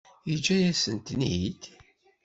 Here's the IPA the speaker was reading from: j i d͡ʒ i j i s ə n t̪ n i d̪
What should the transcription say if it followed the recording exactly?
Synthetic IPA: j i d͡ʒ æ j æ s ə n t̪ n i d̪

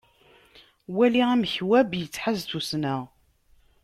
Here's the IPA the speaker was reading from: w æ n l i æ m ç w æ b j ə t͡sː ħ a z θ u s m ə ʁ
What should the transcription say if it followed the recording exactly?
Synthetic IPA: w æ l i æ m ç w æ b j ə t͡sː ħ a z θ u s n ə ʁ

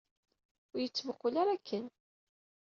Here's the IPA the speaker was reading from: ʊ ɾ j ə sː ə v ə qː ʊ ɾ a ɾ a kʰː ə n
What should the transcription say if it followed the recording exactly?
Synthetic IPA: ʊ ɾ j ə t͡sː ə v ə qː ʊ l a ɾ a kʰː ə n

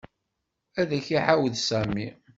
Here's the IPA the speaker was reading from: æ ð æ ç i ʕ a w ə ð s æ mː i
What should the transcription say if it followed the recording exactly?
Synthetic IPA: æ ð æ ç i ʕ a w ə ð s æ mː i

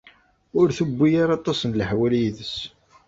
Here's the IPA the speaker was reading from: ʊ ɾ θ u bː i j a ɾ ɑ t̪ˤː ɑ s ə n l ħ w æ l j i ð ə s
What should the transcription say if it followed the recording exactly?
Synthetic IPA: ʊ ɾ θ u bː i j a ɾ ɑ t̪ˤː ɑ s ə n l ħ w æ l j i ð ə s

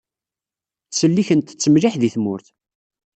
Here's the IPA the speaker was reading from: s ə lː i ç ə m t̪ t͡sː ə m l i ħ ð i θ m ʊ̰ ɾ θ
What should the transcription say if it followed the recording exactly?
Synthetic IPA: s ə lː i ç ə n t̪ t͡sː ə m l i ħ ð i θ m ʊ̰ ɾ θ

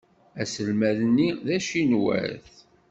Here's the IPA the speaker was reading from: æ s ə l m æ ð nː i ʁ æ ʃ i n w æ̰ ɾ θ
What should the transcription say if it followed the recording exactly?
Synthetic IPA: æ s ə l m æ ð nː i ð æ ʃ i n w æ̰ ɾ θ

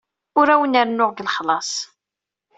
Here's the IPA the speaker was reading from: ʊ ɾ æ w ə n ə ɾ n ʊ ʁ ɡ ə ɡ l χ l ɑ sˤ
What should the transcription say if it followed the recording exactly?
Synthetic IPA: ʊ ɾ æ w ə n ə ɾ n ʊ ʁ ɡ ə l χ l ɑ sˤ

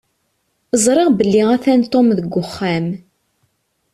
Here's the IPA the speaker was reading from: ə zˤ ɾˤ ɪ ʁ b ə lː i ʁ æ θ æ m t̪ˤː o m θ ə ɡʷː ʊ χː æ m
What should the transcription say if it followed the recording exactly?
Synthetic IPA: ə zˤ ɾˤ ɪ ʁ b ə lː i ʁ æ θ æ n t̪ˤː o m ð ə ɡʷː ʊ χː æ m

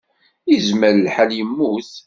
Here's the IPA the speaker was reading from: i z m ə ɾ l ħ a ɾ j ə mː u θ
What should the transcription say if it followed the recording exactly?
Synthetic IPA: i z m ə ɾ l ħ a l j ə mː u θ

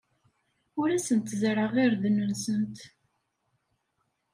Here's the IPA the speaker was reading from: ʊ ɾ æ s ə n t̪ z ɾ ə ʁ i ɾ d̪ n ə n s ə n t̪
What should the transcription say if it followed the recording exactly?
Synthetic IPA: ʊ ɾ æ s ə n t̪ z ɾ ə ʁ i ɾ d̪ n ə n s ə n t̪

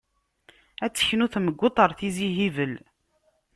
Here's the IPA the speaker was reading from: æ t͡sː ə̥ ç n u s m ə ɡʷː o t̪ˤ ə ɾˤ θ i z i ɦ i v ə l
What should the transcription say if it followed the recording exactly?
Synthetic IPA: æ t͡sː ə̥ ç n u θ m ə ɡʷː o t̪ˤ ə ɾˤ θ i z i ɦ i v ə l

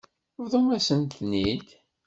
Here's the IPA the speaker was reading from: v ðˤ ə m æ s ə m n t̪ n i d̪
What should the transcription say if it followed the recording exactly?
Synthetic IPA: v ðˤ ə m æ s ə n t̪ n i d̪

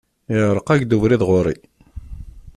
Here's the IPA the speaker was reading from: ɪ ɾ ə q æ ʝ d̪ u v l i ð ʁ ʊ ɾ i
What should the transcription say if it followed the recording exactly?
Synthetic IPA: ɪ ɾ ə q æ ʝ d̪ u v ɾ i ð ʁ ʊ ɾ i

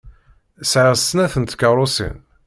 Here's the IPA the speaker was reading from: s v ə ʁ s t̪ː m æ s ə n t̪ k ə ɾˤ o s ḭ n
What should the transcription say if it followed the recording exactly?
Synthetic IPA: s ʕ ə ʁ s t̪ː n æ θ ə n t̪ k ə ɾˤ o s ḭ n

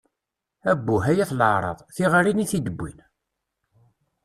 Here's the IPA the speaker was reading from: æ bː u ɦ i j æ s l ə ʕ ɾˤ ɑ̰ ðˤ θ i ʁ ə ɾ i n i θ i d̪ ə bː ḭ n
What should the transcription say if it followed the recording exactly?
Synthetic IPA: æ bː u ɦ æ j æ θ l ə ʕ ɾˤ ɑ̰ ðˤ θ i ʁ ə ɾ i n i θ i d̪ ə bː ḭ n

